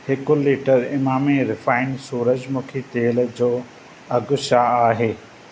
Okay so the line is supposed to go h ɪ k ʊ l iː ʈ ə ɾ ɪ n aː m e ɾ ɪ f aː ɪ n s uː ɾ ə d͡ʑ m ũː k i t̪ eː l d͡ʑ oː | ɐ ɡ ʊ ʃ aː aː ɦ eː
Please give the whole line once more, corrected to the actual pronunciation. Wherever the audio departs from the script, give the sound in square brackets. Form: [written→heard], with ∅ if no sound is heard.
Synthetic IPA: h ɪ k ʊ l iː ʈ ə ɾ ɪ [n→m] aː m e ɾ ɪ f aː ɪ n s uː ɾ ə d͡ʑ m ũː [k→kʰ] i t̪ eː l d͡ʑ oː | ɐ ɡ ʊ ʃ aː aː ɦ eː

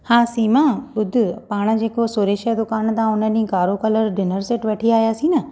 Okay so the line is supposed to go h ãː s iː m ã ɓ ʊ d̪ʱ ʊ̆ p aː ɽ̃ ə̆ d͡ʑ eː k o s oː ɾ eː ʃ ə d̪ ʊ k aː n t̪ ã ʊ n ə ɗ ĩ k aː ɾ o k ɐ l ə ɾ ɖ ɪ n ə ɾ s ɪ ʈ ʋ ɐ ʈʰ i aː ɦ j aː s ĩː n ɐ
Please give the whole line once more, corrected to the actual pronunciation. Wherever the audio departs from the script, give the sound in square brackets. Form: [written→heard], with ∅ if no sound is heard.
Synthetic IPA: h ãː s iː m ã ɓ ʊ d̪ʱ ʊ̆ p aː ɽ̃ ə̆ d͡ʑ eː k o s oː ɾ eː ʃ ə d̪ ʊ k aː n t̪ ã ʊ n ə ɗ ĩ k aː ɾ o k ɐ l ə ɾ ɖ ɪ n ə ɾ s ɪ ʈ ʋ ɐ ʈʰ i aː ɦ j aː s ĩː n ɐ

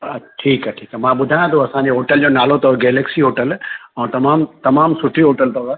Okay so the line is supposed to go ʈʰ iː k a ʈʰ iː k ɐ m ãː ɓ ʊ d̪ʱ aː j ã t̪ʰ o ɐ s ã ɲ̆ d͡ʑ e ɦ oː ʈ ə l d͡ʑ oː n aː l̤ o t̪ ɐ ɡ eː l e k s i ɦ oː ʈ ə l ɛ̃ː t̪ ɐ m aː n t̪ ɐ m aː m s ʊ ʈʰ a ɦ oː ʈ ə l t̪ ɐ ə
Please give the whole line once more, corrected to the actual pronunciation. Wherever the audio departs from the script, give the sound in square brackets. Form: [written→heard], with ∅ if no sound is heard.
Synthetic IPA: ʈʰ iː k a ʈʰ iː k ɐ m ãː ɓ ʊ d̪ʱ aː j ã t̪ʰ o ɐ s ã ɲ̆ d͡ʑ e ɦ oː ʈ ə l d͡ʑ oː n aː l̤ o t̪ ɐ ɡ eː l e k s i ɦ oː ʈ ə l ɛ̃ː t̪ ɐ m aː [n→m] t̪ ɐ m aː m s ʊ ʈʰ [a→i] ɦ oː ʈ ə l t̪ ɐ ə

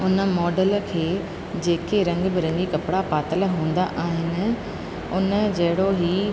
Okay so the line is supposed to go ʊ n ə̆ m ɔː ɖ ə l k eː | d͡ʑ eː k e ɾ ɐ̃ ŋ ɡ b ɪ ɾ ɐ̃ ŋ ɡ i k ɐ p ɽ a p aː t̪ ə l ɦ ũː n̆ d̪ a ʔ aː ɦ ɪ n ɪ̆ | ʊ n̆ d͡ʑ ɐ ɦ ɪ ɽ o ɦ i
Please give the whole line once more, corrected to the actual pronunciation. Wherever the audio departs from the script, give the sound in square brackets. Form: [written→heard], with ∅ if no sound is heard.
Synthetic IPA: ʊ n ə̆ m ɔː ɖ ə l [k→kʰ] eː | d͡ʑ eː k e ɾ ɐ̃ ŋ ɡ b ɪ ɾ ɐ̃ ŋ ɡ i k ɐ p ɽ a p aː t̪ ə l ɦ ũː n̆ d̪ a ʔ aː ɦ ɪ n ɪ̆ | ʊ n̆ d͡ʑ ɐ ɦ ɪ ɽ o ɦ i

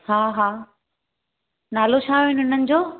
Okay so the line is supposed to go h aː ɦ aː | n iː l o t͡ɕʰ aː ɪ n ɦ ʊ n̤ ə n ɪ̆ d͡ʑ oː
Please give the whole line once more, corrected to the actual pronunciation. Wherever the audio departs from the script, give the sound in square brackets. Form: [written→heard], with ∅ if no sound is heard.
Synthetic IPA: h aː ɦ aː | n [iː→aː] l o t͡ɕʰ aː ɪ n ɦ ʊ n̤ ə n ɪ̆ d͡ʑ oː

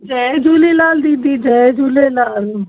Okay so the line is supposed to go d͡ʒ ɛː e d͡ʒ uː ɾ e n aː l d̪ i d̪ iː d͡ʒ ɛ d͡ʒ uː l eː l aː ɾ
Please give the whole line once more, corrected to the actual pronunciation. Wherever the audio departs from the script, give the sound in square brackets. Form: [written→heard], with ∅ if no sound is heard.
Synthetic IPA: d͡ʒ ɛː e d͡ʒ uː [ɾ→l] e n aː l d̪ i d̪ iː d͡ʒ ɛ d͡ʒ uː l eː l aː [ɾ→l]

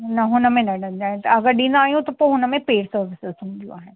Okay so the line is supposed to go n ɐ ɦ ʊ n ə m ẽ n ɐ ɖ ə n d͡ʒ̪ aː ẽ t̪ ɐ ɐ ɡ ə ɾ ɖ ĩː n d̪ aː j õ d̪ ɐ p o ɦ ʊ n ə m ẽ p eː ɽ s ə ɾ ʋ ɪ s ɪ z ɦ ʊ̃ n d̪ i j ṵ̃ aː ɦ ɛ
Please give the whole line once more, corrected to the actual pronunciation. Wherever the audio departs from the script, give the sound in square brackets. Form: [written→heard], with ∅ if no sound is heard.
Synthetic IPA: n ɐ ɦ ʊ n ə m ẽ n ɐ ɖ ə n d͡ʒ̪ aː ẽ t̪ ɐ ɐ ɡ ə ɾ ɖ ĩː n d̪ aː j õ [d̪→t̪] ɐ p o ɦ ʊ n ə m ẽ p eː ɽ s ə ɾ ʋ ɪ s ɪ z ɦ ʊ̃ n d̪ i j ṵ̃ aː ɦ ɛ

